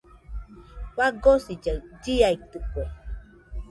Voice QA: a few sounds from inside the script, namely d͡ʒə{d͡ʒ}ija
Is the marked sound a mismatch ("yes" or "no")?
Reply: no